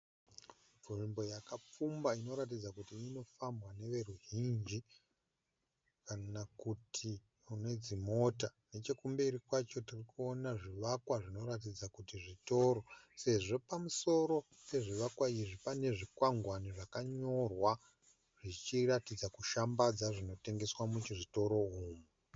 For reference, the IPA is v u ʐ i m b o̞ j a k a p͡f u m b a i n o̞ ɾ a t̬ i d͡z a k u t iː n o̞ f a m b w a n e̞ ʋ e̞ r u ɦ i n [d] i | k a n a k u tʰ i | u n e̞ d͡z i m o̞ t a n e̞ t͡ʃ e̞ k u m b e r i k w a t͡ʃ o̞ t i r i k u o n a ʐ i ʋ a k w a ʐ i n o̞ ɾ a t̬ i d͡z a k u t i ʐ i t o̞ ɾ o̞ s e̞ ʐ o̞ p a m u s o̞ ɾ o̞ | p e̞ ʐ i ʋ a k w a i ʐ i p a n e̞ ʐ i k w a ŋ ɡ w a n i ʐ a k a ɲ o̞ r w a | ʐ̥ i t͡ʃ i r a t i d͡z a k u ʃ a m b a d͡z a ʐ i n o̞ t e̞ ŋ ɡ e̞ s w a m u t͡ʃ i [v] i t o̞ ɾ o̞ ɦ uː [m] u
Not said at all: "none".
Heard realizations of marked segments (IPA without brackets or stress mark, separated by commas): d͡ʒ, ʐ, m